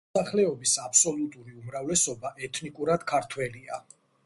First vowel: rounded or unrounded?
unrounded